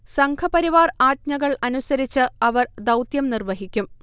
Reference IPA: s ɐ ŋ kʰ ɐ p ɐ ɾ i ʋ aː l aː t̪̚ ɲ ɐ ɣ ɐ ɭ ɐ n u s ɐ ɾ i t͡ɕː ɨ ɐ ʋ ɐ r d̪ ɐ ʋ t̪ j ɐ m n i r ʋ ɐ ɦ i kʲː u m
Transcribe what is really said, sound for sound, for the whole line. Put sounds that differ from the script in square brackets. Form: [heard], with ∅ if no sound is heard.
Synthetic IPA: s ɐ ŋ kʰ ɐ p ɐ ɾ i ʋ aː [r] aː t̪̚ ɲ ɐ ɣ ɐ ɭ ɐ n u s ɐ ɾ i t͡ɕː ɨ ɐ ʋ ɐ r d̪ ɐ [w] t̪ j ɐ m n i r ʋ ɐ ɦ i kʲː u m